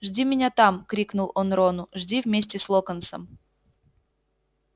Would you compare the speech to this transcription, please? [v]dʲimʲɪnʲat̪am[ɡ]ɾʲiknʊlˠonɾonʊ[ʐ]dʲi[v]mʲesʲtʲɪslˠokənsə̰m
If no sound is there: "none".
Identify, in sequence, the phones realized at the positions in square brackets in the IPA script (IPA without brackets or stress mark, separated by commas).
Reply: ʐ, k, ʐ, v